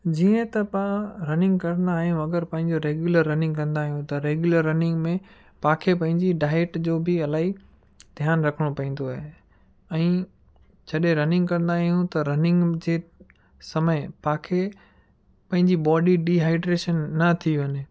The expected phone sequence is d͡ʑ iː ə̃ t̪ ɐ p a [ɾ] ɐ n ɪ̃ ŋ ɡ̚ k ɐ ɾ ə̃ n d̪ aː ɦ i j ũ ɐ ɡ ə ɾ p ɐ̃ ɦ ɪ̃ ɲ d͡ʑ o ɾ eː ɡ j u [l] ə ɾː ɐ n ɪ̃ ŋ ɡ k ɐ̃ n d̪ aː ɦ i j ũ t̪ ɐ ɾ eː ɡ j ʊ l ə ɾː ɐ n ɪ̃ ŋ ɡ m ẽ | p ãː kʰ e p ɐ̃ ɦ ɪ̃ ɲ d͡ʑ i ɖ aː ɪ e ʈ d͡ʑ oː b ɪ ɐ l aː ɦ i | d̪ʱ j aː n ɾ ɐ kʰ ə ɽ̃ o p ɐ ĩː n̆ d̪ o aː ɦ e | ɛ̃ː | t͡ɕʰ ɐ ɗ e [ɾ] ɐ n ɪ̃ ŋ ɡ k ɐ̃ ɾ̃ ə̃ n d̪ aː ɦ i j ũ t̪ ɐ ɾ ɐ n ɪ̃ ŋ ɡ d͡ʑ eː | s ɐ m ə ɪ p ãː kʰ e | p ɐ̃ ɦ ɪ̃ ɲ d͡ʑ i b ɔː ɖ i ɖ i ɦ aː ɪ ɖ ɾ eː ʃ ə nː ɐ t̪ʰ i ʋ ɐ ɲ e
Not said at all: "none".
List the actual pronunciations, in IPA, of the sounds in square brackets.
ɾ, l, ɾ

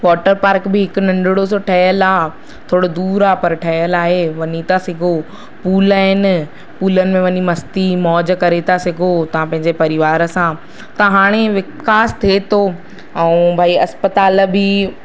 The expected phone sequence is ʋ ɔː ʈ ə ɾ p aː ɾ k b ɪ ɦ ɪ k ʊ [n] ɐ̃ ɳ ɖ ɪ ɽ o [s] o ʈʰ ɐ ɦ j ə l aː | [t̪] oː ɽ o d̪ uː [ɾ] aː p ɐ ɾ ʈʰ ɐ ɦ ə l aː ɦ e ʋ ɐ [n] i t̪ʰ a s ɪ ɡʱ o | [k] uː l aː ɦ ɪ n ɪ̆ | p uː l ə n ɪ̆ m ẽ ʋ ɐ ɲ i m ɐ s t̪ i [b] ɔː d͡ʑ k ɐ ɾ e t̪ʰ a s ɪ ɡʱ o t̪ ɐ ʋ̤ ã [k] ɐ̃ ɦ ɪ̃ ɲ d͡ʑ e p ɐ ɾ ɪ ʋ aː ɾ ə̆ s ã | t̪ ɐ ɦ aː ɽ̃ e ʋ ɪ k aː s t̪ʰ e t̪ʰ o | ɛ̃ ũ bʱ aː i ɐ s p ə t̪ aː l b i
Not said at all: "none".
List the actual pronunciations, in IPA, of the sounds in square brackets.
n, s, t̪ʰ, ɾ, ɲ, p, m, p

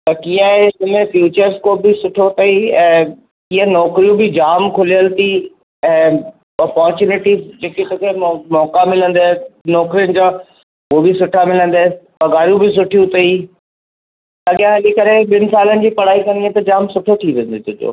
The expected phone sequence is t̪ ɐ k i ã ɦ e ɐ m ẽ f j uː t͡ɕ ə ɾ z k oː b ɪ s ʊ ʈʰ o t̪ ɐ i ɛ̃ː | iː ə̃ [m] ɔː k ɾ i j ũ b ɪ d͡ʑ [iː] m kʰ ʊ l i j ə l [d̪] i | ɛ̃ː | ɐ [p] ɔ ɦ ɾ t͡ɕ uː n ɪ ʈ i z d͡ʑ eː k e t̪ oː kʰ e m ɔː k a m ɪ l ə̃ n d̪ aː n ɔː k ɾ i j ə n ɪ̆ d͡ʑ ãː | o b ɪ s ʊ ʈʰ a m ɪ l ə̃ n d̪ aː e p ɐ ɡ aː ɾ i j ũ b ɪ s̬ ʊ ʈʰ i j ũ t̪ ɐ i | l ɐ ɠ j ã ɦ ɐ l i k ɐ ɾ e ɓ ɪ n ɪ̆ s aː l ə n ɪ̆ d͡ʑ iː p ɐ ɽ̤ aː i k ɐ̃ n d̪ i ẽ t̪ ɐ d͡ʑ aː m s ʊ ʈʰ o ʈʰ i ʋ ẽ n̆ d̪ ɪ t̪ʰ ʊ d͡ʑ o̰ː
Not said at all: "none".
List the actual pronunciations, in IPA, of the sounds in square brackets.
n, aː, t̪, p

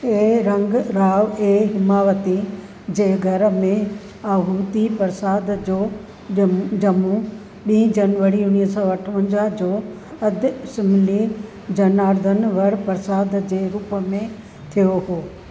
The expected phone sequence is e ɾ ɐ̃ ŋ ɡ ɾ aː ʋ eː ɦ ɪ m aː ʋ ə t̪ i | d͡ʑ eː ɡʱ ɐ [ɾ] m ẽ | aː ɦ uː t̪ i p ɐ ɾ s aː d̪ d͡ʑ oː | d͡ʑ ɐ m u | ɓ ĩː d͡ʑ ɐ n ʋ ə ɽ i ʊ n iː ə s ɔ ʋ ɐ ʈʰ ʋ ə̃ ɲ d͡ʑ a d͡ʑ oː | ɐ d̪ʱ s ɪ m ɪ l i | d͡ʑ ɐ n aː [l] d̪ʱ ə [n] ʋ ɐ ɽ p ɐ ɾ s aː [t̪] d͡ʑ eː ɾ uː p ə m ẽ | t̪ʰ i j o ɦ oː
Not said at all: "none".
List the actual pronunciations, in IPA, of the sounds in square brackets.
ɾ, ɾ, n, d̪

